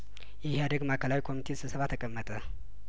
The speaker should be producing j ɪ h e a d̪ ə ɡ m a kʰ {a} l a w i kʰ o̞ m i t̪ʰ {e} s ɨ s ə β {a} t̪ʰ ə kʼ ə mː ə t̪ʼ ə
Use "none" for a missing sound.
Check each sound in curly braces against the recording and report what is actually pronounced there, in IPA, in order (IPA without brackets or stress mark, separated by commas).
ə, e, a